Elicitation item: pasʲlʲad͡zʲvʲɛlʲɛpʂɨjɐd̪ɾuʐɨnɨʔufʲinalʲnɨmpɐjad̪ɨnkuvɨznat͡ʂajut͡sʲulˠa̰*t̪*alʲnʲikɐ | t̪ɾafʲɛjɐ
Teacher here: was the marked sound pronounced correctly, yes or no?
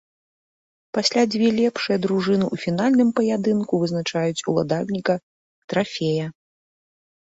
no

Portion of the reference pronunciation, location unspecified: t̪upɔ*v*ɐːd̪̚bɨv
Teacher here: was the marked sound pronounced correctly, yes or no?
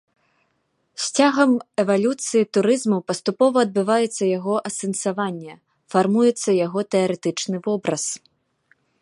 yes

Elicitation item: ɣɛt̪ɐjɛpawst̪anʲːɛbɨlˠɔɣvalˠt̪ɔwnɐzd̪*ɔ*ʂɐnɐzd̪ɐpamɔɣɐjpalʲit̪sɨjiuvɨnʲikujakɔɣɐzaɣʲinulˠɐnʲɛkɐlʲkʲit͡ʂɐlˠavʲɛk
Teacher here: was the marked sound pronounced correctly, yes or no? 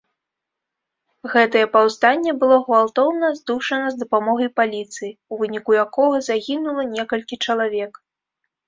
no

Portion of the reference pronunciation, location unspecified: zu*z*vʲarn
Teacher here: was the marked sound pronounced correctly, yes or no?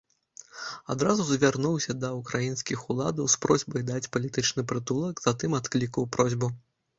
yes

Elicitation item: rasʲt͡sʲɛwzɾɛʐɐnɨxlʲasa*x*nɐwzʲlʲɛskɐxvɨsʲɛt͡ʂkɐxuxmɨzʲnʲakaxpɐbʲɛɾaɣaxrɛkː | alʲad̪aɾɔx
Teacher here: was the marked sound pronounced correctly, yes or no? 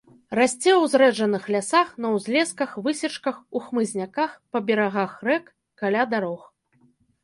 yes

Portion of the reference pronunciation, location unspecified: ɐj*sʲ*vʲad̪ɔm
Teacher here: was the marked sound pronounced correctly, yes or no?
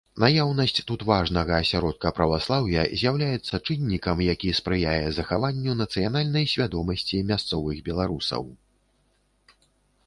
yes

